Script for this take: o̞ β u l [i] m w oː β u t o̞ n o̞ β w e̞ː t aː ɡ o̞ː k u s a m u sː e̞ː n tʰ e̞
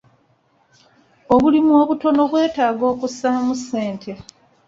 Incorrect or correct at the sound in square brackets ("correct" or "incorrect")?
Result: correct